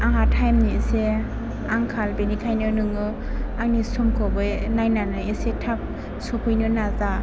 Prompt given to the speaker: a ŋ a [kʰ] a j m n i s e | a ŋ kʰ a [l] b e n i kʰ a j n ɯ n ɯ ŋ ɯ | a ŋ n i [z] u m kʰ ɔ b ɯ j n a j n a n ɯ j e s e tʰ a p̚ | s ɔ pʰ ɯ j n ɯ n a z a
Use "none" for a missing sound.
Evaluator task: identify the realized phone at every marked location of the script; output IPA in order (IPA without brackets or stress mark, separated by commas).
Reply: tʰ, l, s